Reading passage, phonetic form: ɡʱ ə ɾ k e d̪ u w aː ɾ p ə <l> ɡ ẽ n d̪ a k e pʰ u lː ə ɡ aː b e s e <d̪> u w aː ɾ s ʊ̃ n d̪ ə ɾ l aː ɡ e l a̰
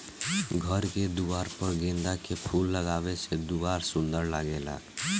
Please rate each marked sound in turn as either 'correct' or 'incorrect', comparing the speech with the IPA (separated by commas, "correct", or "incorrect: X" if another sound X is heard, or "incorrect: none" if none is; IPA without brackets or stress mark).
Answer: incorrect: ɾ, correct